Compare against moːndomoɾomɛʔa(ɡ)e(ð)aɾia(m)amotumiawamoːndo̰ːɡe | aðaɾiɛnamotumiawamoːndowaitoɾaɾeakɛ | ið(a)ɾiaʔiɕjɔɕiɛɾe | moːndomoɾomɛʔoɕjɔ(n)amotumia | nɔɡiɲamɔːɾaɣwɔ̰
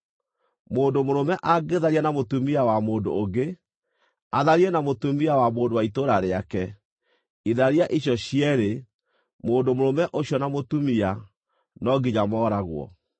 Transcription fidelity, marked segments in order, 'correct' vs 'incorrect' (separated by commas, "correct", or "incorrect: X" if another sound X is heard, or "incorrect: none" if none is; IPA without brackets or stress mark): correct, correct, incorrect: n, correct, correct